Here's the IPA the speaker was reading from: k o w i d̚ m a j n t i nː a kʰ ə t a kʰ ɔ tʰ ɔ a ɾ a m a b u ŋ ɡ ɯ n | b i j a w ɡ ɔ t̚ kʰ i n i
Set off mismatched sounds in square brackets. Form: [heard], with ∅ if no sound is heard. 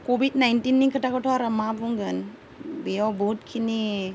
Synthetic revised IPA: k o [b] i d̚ [n] a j n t i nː [i] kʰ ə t a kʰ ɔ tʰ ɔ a ɾ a m a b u ŋ ɡ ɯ n | b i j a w [b] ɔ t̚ kʰ i n i